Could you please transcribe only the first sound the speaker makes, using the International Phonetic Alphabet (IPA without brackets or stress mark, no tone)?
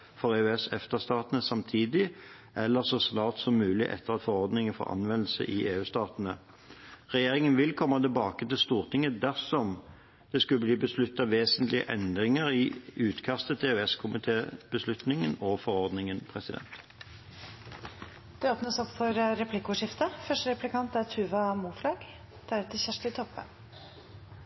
f